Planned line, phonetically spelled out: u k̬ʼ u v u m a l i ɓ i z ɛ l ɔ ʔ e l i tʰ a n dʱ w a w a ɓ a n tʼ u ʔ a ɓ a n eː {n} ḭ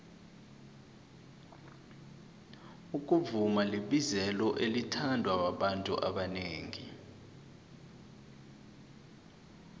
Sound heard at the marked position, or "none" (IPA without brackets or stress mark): ŋ